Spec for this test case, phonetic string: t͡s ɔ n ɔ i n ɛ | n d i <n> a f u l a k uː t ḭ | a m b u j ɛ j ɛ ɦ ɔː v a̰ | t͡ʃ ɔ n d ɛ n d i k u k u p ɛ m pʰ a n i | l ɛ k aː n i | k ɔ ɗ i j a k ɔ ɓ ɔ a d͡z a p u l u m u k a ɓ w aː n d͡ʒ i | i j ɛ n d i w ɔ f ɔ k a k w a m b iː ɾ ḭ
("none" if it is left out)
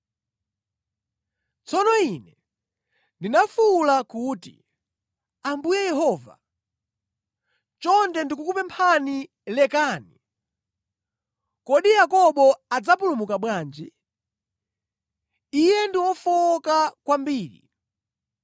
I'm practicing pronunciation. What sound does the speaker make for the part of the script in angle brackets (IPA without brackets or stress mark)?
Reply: n